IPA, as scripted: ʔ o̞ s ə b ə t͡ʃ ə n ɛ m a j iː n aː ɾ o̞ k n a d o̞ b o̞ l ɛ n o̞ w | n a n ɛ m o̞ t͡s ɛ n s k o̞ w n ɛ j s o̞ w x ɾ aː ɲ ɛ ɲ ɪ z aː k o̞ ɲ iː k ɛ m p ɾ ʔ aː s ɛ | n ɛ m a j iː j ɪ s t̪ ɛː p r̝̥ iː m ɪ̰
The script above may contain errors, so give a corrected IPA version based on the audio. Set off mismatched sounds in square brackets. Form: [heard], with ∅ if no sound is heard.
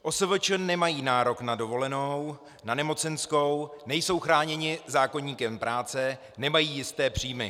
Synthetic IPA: ʔ o̞ s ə [v] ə t͡ʃ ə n ɛ m a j iː n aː ɾ o̞ k n a d o̞ [v] o̞ l ɛ n o̞ w | n a n ɛ m o̞ t͡s ɛ n s k o̞ w n ɛ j s o̞ w x ɾ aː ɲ ɛ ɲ ɪ z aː k o̞ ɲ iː k ɛ m p ɾ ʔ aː [t͡s] ɛ | n ɛ m a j iː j ɪ s t̪ ɛː p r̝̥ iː m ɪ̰